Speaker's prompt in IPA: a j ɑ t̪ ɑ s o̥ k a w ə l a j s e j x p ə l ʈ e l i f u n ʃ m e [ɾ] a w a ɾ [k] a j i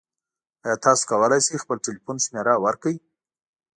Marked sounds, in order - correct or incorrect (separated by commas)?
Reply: correct, correct